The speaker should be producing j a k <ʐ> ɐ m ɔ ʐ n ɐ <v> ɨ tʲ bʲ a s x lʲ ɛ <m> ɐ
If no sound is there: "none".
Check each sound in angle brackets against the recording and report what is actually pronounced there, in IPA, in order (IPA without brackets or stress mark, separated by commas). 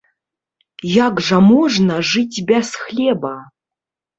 ʐ, ʐ, b